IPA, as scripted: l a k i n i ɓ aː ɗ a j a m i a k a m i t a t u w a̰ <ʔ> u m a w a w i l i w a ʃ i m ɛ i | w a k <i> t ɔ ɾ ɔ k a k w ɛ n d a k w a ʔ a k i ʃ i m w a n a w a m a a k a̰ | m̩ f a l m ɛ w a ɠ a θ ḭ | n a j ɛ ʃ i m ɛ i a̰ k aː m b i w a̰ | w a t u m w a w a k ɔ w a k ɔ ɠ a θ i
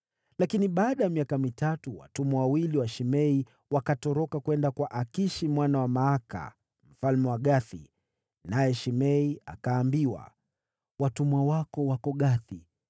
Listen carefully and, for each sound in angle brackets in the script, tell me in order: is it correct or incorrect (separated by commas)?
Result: incorrect, incorrect